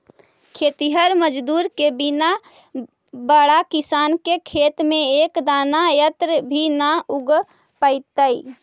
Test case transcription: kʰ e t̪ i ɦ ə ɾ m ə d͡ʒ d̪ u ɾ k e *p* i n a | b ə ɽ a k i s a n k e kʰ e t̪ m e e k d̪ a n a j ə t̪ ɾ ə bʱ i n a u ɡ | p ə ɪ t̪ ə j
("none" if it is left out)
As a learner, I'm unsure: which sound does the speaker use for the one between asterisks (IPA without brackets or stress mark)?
b